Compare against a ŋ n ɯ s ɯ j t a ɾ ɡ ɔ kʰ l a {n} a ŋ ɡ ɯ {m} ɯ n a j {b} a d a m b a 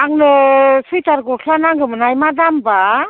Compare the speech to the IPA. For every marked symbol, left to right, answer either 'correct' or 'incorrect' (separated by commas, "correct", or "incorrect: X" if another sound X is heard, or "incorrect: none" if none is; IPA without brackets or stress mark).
correct, correct, incorrect: m